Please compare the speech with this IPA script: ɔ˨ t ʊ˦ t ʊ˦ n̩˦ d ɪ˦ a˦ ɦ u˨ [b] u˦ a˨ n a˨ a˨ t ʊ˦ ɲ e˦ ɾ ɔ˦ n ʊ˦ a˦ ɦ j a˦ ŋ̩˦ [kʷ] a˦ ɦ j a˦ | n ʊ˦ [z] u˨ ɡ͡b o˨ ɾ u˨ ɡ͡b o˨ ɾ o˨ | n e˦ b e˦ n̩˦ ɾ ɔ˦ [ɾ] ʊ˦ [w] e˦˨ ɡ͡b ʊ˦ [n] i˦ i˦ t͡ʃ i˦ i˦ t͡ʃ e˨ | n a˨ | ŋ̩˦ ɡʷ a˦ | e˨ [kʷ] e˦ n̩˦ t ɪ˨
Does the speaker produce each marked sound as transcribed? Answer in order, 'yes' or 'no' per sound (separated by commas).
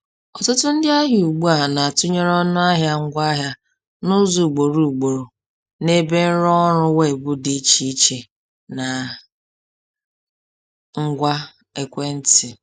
no, no, yes, yes, yes, no, yes